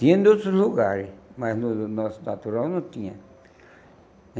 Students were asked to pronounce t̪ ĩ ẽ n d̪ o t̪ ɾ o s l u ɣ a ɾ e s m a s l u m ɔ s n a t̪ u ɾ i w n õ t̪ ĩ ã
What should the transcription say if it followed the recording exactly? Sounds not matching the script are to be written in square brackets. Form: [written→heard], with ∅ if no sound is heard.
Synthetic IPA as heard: t̪ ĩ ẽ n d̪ o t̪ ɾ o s l u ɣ a ɾ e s m a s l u [m→n] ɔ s n a t̪ u ɾ [i→a] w n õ t̪ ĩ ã